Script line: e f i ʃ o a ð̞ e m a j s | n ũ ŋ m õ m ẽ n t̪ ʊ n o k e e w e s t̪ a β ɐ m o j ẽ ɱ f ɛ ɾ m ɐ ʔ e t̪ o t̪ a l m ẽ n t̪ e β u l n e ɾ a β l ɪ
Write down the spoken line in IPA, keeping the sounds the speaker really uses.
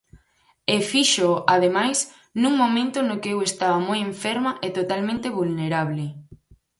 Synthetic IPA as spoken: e f i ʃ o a ð̞ e m a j s | n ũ ŋ m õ m ẽ n t̪ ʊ n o k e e w e s t̪ a β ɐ m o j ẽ ɱ f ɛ ɾ m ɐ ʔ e t̪ o t̪ a l m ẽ n t̪ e β u l n e ɾ a β l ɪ